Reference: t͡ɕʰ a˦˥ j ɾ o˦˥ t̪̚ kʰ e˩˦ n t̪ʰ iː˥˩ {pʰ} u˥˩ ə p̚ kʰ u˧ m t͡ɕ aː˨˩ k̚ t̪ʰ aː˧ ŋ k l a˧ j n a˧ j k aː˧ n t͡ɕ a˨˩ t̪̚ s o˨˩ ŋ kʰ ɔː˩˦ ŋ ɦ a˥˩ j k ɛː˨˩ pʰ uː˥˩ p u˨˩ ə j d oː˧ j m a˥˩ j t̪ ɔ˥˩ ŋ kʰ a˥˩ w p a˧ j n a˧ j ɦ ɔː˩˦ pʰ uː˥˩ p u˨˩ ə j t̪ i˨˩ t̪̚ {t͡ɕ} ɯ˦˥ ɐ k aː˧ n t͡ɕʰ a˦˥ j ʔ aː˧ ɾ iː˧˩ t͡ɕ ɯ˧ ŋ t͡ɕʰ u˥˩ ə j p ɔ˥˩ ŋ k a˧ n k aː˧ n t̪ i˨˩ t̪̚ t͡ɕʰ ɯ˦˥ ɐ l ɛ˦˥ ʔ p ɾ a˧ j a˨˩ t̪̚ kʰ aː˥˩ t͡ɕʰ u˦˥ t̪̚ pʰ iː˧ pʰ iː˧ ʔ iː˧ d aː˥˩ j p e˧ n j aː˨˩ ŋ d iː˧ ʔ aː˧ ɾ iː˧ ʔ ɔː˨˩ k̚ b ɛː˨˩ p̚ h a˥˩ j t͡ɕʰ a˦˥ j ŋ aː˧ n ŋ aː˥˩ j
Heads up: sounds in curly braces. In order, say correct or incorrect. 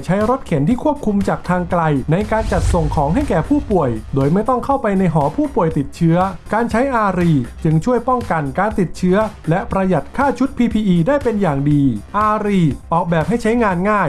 incorrect, incorrect

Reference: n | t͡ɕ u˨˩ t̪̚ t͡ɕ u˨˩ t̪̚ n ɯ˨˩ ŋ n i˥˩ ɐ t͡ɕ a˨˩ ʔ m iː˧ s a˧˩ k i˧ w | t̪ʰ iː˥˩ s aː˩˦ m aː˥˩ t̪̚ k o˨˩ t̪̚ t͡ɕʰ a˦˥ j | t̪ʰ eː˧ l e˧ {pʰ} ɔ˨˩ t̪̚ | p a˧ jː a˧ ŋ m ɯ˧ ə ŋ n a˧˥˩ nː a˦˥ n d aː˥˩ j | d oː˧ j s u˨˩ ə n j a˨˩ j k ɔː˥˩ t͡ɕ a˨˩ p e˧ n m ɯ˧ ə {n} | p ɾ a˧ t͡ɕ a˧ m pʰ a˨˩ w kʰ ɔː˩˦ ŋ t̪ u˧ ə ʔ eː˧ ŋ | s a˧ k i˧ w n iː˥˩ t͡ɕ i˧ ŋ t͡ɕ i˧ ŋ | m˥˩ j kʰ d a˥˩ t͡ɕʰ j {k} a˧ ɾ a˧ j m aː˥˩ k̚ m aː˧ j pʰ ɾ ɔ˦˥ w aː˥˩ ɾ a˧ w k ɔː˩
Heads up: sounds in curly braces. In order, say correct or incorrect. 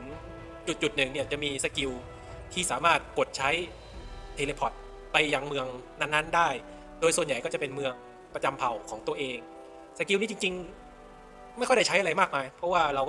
correct, incorrect, incorrect

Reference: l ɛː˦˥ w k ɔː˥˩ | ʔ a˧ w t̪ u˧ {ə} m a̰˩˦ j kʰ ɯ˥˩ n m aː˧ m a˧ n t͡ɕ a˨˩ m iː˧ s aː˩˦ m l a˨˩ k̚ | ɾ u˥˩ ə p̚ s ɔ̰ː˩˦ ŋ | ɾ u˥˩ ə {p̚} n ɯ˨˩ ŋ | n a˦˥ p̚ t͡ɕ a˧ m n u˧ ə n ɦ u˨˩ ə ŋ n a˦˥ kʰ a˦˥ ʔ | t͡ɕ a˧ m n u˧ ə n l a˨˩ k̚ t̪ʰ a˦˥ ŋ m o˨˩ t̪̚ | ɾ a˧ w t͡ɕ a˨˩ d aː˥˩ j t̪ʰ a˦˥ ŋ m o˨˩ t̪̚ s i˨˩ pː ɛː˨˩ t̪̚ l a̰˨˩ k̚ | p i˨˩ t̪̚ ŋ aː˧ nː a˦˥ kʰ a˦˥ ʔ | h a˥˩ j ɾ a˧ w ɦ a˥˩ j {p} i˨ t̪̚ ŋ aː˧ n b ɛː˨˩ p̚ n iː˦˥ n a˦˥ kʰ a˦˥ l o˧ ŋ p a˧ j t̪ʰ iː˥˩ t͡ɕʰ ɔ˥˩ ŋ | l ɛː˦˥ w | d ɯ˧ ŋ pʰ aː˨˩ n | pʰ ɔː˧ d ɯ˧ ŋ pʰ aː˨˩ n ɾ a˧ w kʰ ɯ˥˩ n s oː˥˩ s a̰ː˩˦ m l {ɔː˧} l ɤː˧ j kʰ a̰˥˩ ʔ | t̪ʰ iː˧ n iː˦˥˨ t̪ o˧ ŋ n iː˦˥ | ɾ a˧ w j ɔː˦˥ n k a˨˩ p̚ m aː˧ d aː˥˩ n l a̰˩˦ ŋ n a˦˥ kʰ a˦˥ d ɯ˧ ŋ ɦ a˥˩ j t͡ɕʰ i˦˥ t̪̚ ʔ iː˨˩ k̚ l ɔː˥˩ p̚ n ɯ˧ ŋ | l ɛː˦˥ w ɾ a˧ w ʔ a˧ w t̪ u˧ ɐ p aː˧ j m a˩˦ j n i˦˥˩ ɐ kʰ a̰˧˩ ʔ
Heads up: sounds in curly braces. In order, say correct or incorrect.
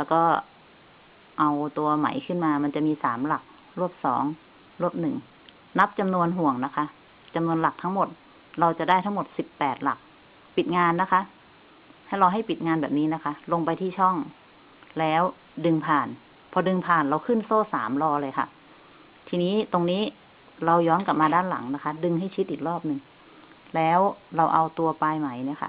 incorrect, correct, correct, correct

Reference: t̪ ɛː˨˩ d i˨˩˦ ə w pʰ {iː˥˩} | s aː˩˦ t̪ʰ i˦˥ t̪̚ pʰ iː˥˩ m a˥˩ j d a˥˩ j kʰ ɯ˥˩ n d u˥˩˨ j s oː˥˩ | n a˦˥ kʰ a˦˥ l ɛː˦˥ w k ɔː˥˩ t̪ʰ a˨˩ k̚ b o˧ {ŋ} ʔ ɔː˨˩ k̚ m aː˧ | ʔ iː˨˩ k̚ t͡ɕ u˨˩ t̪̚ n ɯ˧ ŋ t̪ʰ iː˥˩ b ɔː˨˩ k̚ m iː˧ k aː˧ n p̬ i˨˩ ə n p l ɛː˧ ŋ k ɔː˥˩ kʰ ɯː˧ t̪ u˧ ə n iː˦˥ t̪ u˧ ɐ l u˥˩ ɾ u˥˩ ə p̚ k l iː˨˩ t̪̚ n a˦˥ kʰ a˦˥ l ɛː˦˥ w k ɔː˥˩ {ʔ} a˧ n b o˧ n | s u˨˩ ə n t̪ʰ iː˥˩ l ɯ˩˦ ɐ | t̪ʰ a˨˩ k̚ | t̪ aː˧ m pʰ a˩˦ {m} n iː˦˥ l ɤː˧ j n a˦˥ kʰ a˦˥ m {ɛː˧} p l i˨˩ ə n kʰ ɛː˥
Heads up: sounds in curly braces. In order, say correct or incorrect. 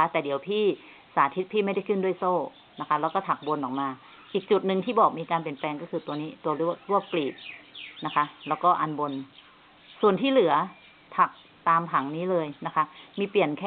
correct, incorrect, correct, incorrect, incorrect

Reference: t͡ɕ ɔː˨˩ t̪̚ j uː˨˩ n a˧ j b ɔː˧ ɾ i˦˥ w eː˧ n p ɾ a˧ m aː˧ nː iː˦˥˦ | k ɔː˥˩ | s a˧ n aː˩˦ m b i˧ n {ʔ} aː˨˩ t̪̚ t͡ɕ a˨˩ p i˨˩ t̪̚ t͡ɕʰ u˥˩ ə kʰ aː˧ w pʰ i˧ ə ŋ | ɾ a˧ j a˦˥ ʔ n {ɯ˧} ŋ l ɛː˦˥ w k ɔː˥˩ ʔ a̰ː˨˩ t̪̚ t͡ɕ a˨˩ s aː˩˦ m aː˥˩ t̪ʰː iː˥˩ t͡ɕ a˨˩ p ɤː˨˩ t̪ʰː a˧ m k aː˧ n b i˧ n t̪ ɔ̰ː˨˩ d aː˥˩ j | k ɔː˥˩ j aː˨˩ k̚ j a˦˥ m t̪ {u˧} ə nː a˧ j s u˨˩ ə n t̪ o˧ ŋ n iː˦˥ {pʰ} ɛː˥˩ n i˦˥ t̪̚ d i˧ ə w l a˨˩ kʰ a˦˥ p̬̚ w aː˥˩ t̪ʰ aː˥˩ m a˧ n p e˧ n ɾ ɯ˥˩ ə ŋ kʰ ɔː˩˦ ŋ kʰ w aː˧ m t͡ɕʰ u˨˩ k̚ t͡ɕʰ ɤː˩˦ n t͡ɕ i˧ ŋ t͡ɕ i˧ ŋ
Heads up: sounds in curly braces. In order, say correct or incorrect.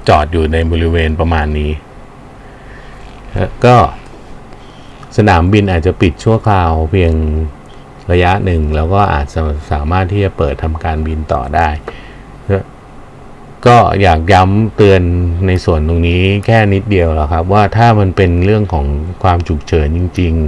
correct, incorrect, incorrect, incorrect

